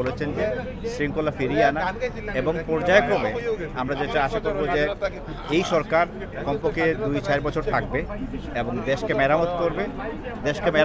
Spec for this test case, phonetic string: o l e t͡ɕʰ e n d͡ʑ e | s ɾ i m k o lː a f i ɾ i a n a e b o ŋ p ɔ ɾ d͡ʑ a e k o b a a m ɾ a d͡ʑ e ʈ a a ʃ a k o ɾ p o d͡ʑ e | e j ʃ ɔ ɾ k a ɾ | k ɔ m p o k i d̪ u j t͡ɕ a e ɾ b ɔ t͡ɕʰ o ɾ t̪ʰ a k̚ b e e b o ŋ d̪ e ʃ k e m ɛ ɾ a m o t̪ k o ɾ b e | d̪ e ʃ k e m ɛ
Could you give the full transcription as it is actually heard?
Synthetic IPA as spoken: o l e t͡ɕʰ e n d͡ʑ e | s ɾ i ŋ k o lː a f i ɾ i a n a e b o ŋ p ɔ ɾ d͡ʑ a e k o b e a m ɾ a d͡ʑ e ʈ a a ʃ a k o ɾ b o d͡ʑ e | e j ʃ ɔ ɾ k a ɾ | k ɔ m p o k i d̪ u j t͡ɕ a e ɾ b ɔ t͡ɕʰ o ɾ t̪ʰ a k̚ b e e b o ŋ d̪ e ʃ k e m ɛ ɾ a m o t̪ k o ɾ b e | d̪ e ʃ k e m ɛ